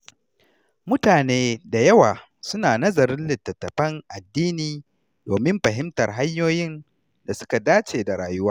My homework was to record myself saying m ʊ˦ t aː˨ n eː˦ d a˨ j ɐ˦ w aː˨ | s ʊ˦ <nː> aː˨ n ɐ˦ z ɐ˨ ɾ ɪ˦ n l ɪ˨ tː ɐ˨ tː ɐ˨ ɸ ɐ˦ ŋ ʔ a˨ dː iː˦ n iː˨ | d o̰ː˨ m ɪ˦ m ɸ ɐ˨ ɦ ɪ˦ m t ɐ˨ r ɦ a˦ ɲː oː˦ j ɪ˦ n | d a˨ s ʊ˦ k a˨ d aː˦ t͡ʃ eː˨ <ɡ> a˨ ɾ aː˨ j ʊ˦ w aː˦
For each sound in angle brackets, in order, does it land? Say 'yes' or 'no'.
no, no

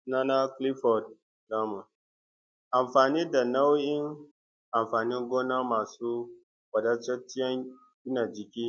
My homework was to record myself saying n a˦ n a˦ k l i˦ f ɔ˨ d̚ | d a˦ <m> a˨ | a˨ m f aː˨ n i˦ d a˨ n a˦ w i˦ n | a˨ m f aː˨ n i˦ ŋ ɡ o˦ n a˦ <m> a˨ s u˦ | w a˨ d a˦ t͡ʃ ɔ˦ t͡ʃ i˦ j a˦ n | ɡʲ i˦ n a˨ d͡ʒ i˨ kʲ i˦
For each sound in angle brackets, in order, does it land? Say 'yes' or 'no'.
yes, yes

